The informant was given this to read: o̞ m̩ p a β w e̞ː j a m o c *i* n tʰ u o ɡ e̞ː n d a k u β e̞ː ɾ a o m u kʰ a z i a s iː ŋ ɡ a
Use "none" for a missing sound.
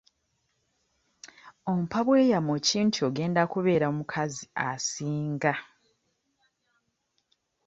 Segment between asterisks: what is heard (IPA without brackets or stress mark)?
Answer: iː